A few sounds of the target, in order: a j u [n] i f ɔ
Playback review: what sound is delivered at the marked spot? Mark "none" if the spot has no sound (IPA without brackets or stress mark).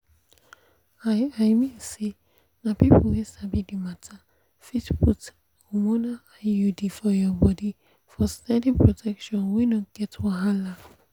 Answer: d